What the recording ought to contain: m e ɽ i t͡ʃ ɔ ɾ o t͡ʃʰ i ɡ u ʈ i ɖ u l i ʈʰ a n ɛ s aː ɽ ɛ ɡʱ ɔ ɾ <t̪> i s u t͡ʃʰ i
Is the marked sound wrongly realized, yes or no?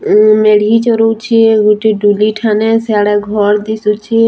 yes